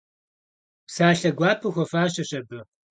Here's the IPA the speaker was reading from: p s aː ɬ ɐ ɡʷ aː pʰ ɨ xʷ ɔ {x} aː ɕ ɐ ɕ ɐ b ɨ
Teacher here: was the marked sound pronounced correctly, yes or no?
no